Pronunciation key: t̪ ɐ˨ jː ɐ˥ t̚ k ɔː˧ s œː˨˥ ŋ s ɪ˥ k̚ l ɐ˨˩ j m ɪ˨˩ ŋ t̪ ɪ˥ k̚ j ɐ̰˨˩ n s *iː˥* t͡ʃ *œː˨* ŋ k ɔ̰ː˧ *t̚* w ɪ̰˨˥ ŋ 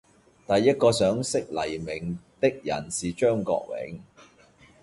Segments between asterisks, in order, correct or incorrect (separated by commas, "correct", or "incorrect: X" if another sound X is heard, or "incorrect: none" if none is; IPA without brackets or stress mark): incorrect: iː˨, incorrect: œː˥, incorrect: k̚